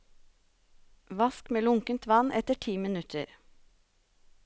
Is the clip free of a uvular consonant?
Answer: yes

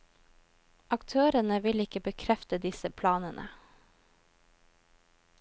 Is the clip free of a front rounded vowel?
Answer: no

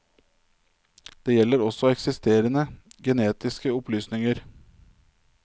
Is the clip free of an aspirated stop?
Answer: yes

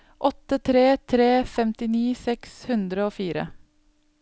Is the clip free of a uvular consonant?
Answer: yes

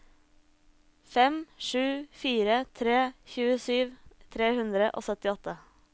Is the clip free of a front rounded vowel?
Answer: no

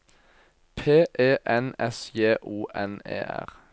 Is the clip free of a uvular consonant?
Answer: no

